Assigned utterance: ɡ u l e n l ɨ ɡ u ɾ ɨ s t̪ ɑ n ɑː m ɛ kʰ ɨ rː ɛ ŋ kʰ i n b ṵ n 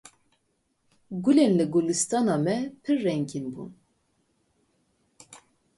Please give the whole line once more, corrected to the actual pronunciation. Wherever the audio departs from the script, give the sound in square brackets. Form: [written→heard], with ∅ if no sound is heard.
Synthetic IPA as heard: ɡ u l e n l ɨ ɡ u [ɾ→l] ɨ s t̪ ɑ n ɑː m ɛ [kʰ→pʰ] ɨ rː ɛ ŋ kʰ i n b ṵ n